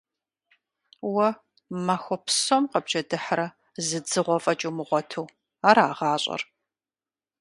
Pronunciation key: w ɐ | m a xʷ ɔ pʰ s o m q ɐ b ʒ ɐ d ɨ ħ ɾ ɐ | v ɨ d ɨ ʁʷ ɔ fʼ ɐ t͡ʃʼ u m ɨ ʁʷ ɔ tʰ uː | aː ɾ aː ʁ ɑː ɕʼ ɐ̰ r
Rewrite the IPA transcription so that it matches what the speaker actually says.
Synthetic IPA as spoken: w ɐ | m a xʷ ɔ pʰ s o m q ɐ b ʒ ɐ d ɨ ħ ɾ ɐ | z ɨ d͡z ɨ ʁʷ ɔ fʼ ɐ t͡ʃʼ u m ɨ ʁʷ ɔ tʰ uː | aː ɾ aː ʁ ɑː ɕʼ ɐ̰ r